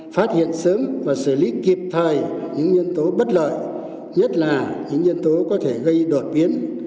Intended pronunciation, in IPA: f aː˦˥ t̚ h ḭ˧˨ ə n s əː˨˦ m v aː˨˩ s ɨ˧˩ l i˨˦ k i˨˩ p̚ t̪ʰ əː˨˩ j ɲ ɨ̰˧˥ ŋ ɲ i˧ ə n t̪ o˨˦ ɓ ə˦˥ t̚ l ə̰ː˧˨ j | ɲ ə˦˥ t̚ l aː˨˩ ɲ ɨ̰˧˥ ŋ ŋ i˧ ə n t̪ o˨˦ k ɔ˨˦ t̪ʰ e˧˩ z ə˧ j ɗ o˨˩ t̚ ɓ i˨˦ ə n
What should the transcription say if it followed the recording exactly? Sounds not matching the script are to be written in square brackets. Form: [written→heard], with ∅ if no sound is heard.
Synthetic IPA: f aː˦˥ t̚ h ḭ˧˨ ə n s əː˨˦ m v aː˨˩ s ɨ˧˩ l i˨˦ k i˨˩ p̚ t̪ʰ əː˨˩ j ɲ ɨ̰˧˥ ŋ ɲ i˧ ə n t̪ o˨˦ ɓ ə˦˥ t̚ l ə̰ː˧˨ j | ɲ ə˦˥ t̚ l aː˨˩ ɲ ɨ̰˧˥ ŋ [ŋ→ɲ] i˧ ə n t̪ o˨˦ k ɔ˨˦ t̪ʰ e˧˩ [z→ɣ] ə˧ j ɗ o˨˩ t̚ ɓ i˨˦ ə n